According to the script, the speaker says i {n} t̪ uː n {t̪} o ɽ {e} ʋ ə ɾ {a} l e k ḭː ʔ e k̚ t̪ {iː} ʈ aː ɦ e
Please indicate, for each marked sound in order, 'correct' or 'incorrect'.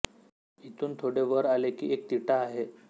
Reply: incorrect, incorrect, correct, correct, incorrect

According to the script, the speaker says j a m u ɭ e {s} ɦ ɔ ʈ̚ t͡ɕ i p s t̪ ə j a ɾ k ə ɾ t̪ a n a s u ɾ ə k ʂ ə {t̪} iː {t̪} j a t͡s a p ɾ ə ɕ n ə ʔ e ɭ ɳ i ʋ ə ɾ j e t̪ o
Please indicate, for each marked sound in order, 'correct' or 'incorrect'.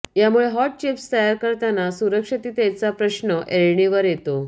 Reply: incorrect, correct, correct

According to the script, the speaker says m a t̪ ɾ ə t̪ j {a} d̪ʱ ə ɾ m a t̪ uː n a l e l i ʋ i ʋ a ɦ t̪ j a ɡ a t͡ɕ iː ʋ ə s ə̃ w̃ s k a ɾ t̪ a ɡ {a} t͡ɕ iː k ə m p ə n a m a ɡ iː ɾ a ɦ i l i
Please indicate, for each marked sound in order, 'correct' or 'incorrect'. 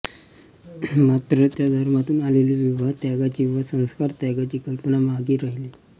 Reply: correct, correct

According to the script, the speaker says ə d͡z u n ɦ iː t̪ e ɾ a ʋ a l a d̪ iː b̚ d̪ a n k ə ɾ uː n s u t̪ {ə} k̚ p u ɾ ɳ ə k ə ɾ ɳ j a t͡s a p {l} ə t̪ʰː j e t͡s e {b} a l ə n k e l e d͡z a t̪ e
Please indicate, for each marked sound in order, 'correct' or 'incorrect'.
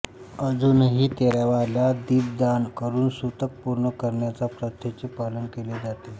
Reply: correct, incorrect, incorrect

